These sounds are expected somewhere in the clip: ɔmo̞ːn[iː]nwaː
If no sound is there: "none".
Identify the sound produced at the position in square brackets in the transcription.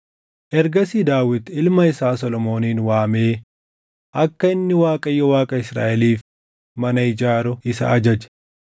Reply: iː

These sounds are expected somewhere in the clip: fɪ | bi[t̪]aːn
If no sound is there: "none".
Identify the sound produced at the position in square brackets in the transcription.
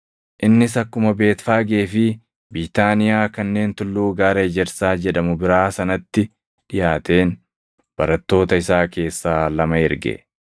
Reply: t̪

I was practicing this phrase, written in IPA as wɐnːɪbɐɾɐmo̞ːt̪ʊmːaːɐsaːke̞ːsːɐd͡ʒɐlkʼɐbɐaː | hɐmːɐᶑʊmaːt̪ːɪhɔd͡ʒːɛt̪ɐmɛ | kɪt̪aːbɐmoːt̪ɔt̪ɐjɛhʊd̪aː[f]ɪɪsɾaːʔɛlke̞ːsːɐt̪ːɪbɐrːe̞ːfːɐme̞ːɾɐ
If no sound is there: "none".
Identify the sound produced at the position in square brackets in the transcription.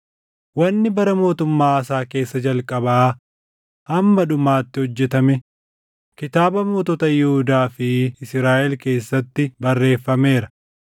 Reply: f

